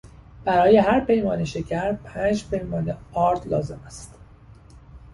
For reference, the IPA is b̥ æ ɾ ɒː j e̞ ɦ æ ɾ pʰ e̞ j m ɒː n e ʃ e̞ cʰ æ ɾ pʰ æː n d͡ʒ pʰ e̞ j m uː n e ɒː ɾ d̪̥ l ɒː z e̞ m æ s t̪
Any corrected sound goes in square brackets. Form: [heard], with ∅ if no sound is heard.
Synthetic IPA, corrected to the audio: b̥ æ ɾ ɒː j e̞ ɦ æ ɾ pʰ e̞ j m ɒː n e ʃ e̞ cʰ æ ɾ pʰ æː n d͡ʒ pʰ e̞ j m [ɒː] n e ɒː ɾ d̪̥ l ɒː z e̞ m æ s t̪